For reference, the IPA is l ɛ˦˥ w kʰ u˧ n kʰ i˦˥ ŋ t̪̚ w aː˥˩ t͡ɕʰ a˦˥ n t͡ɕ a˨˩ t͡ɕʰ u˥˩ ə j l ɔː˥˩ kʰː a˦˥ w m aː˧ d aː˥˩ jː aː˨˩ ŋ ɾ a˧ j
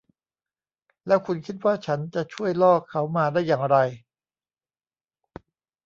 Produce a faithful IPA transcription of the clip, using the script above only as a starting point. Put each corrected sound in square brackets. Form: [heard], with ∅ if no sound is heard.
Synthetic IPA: l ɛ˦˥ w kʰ u˧ n kʰ i˦˥ [∅] t̪̚ w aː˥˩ t͡ɕʰ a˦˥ n t͡ɕ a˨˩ t͡ɕʰ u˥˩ ə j l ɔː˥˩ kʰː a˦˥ w m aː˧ d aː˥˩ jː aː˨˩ ŋ ɾ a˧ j